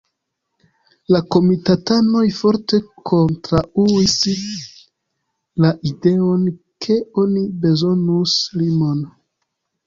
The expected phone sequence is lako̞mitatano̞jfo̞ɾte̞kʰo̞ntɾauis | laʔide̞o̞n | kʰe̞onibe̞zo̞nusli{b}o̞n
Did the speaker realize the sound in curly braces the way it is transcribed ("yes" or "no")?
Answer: no